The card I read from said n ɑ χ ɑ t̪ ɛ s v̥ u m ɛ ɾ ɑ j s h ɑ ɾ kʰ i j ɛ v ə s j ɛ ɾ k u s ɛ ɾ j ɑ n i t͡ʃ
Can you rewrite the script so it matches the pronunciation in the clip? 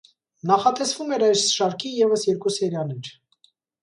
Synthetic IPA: n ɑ χ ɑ t̪ ɛ s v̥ u m ɛ ɾ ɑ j s ʃ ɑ ɾ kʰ i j ɛ v ə s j ɛ ɾ k u s ɛ ɾ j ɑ n i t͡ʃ

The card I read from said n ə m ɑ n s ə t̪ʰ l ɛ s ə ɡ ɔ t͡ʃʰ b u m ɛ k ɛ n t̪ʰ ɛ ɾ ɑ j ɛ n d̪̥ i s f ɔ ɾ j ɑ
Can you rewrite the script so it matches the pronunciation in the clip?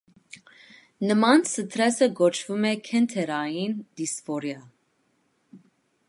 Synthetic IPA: n ə m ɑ n s ə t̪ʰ ɾ ɛ s ə ɡ ɔ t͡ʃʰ v u m ɛ kʰ ɛ n t̪ʰ ɛ ɾ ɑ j i n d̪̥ i s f ɔ ɾ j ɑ

